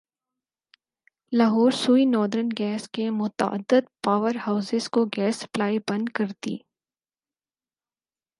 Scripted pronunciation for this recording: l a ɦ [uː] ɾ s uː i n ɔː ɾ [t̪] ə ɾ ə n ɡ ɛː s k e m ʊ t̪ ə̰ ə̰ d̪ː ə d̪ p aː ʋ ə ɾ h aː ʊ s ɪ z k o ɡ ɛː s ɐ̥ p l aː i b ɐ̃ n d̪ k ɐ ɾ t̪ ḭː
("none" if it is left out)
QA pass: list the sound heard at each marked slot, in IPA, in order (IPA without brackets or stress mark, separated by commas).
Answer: ɔː, d̪